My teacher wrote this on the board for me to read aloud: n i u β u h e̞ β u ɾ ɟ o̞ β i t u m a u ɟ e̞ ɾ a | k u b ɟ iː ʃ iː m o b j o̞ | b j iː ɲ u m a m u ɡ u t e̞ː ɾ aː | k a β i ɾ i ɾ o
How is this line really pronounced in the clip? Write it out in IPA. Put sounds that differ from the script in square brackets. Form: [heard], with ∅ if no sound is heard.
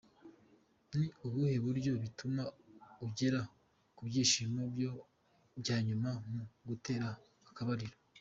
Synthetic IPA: n i u β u h e̞ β u ɾ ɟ o̞ β i t u m a u ɟ e̞ ɾ a | k u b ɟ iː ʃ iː m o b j o̞ | b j [aː] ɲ u m a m u ɡ u t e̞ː ɾ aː | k a β [a] ɾ i ɾ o